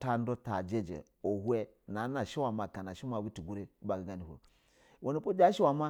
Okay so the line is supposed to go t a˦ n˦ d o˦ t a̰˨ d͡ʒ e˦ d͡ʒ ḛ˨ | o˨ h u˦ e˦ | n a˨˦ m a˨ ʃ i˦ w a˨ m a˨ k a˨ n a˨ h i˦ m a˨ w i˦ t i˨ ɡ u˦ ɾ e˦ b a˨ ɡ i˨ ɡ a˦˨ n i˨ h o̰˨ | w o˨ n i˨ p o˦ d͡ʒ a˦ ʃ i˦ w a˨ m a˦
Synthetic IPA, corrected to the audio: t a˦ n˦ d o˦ t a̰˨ d͡ʒ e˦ d͡ʒ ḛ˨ | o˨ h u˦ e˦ | n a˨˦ n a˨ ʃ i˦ w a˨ m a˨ k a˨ n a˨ ʃ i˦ m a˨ w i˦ t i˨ ɡ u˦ ɾ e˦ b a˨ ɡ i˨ ɡ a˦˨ n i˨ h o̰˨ | w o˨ n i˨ p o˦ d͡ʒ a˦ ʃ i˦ w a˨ m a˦